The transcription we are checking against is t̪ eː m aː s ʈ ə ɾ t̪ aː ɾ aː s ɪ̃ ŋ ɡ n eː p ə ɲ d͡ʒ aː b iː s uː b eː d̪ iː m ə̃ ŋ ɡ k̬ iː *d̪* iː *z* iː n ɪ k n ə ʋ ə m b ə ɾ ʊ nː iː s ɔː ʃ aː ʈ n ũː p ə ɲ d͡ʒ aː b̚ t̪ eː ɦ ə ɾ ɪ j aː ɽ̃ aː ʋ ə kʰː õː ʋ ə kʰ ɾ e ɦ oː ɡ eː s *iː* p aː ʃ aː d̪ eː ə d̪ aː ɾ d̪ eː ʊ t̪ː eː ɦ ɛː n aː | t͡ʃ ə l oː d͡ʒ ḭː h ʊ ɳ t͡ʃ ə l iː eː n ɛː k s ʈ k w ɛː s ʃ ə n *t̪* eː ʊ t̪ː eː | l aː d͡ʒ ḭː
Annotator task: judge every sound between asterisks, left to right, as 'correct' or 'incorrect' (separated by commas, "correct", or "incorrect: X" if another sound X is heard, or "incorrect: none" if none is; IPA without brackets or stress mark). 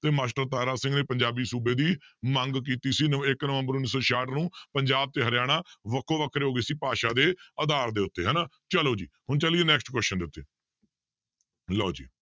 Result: incorrect: t̪, incorrect: s, correct, incorrect: d̪